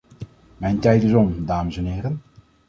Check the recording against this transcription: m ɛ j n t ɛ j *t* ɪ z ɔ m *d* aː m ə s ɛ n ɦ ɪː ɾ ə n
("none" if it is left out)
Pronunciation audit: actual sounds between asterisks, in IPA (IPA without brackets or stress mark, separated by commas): t, d